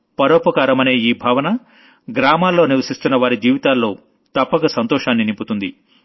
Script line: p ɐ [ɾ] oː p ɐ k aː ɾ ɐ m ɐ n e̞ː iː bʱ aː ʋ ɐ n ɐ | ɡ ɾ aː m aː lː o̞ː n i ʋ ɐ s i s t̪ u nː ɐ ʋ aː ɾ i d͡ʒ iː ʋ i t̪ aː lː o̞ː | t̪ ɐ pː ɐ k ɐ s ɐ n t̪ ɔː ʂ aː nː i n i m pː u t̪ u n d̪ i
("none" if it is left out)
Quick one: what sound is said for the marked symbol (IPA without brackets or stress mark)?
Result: ɾ